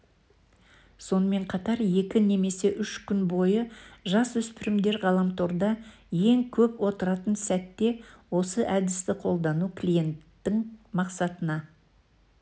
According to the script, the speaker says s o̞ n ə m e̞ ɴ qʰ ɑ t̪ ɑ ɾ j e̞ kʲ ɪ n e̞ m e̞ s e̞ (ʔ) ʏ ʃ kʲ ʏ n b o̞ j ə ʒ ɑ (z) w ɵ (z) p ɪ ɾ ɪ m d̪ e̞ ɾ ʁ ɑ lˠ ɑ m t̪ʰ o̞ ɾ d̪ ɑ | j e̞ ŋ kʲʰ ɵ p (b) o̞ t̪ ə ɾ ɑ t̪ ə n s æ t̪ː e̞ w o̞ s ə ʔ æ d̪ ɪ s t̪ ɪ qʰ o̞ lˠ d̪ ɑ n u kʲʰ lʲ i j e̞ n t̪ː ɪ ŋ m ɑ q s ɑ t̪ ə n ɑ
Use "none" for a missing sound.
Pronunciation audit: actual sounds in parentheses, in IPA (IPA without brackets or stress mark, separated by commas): ʔ, s, s, w